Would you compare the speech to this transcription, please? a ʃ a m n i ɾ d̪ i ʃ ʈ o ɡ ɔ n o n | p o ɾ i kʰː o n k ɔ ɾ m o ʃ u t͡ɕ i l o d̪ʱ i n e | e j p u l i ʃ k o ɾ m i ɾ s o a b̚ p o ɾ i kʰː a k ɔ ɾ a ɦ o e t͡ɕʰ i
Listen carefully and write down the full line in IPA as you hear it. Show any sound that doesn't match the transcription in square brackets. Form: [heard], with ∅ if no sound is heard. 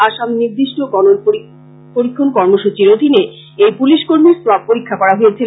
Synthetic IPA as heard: a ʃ a m n i ɾ d̪ i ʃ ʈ o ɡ ɔ n o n | p o ɾ i kʰː o n k ɔ ɾ m o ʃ u t͡ɕ i [ɾ] o d̪ʱ i n e | e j p u l i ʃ k o ɾ m i ɾ s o a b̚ p o ɾ i kʰː a k ɔ ɾ a ɦ o e t͡ɕʰ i